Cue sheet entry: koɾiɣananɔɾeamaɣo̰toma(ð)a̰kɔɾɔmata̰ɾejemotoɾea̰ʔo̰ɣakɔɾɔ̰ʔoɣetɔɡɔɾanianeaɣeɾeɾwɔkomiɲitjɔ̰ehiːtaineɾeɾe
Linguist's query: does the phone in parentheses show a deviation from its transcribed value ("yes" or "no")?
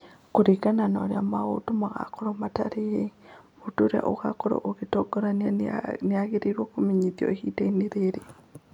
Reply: yes